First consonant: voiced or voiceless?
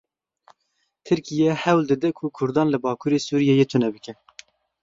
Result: voiceless